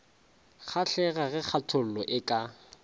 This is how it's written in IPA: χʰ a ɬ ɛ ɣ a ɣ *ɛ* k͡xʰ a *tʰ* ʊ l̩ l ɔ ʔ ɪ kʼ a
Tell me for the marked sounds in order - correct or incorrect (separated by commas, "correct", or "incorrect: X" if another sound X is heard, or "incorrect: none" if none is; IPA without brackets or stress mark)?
correct, correct